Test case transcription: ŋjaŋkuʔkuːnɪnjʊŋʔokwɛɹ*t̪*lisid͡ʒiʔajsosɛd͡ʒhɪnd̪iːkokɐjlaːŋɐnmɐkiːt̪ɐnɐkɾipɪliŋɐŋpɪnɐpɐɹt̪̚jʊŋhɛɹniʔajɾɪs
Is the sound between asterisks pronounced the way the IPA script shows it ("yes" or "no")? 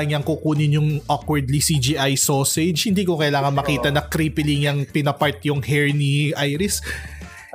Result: no